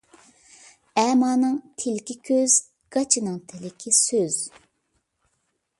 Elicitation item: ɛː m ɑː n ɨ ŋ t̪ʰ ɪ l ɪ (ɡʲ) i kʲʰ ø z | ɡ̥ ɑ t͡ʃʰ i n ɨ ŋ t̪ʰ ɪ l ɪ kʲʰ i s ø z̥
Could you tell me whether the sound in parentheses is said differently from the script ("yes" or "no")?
yes